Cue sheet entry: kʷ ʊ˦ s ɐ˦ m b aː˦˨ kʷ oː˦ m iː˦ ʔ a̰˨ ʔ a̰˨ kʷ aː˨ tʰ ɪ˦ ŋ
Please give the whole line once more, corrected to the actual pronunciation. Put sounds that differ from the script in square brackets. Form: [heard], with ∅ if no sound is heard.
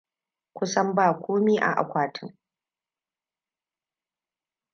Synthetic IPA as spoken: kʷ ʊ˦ s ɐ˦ m b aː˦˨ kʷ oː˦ m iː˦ ʔ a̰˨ ʔ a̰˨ kʷ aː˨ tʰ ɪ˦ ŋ